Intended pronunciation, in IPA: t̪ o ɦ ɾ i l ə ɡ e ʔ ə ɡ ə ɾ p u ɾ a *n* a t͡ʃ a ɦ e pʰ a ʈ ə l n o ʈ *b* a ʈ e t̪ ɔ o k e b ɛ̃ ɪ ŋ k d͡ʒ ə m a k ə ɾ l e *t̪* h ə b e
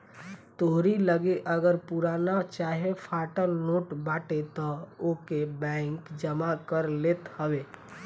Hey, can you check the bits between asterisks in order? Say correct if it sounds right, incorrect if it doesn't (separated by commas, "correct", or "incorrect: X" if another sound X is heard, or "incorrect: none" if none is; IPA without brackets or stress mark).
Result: correct, correct, correct